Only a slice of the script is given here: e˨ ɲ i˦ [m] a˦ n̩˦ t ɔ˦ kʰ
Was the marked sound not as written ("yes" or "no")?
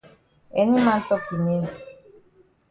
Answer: no